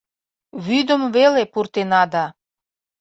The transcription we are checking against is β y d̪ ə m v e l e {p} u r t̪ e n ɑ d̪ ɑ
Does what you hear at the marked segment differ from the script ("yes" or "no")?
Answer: no